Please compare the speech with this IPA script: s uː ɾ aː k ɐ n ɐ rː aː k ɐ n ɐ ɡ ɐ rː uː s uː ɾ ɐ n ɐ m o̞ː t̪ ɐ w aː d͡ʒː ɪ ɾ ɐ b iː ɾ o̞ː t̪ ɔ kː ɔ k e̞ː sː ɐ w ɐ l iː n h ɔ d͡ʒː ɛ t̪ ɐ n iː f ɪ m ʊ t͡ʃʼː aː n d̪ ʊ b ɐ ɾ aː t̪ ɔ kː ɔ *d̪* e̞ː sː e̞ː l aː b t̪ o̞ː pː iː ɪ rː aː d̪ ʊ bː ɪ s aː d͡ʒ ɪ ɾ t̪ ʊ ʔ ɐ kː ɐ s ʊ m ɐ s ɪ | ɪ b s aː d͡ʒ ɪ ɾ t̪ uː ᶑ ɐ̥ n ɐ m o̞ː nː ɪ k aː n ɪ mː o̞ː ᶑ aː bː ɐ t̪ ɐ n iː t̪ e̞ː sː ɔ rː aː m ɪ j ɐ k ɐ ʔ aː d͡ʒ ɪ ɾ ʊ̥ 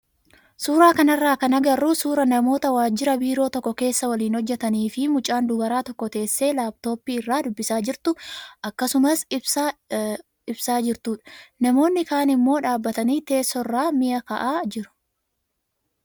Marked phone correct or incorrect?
incorrect